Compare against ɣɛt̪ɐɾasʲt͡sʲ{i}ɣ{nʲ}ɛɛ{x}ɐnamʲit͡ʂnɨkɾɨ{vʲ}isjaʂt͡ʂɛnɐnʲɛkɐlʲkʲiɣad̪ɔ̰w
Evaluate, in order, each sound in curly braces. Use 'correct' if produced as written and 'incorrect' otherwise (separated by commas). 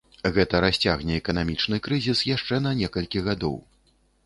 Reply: incorrect, correct, incorrect, incorrect